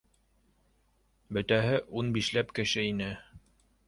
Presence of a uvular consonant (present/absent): absent